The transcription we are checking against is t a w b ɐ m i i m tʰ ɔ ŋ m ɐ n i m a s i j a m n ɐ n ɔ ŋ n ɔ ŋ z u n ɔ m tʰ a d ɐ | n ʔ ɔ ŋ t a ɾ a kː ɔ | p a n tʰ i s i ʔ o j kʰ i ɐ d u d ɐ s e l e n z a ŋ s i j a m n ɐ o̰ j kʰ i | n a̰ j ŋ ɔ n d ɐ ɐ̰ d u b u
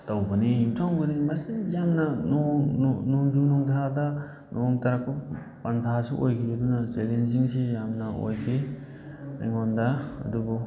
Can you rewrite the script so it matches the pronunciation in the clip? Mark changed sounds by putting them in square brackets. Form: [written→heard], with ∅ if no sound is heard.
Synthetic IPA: t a w b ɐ [m→n] i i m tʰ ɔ ŋ [m→b] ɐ n i m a s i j a m n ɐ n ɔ ŋ n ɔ ŋ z u n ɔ [m→ŋ] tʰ a d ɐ | n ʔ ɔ ŋ t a ɾ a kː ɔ | p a n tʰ [i→a] s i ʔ o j kʰ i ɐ d u [d→n] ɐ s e l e n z [a→i] ŋ s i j a m n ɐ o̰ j kʰ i | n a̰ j ŋ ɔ n d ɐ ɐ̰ d u b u